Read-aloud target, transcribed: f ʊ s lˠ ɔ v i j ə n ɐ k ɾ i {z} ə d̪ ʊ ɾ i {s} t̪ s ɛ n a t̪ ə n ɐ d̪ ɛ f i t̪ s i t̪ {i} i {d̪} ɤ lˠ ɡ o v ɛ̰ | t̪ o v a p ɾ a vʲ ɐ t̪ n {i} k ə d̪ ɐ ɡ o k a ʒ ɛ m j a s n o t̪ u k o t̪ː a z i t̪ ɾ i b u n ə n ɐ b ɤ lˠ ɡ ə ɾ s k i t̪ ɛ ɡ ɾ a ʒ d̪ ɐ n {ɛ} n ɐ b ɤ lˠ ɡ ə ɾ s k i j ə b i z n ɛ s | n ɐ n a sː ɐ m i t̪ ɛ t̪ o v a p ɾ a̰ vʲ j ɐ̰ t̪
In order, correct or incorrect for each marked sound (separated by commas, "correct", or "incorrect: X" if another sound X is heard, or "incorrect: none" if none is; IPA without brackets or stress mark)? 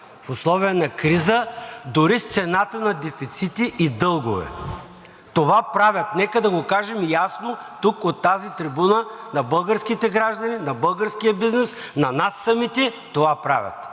correct, correct, correct, correct, incorrect: ɛ, incorrect: i